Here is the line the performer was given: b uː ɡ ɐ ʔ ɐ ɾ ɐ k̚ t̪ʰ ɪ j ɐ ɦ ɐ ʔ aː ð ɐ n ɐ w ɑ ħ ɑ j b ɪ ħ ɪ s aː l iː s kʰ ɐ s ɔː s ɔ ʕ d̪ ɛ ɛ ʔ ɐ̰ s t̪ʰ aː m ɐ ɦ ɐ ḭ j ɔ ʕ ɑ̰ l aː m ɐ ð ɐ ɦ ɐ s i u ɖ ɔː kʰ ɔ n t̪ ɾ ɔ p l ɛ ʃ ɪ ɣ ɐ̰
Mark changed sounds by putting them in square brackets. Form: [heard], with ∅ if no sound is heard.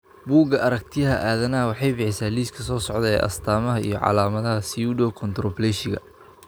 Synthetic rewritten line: b uː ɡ ɐ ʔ ɐ ɾ ɐ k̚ t̪ʰ ɪ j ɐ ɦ ɐ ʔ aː ð ɐ n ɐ w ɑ ħ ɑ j b ɪ ħ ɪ s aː l iː s kʰ ɐ s ɔː s ɔ ʕ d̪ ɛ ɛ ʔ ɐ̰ s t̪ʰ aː m ɐ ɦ ɐ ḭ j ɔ ʕ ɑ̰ l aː m ɐ ð ɐ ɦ ɐ s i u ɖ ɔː kʰ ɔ n t̪ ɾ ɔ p l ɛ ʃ ɪ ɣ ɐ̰